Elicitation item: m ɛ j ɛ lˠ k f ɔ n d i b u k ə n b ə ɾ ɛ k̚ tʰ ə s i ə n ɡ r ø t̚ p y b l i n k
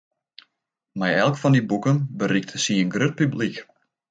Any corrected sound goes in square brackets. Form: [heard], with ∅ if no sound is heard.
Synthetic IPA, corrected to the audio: m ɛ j ɛ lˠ k f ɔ n d i b u k ə n b ə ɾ [i] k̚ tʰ ə s i ə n ɡ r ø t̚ p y b l i [∅] k